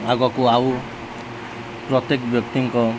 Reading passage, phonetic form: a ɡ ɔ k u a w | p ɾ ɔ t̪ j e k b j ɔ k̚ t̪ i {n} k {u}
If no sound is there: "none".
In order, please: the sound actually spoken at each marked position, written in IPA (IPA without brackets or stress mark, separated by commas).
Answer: ŋ, ɔ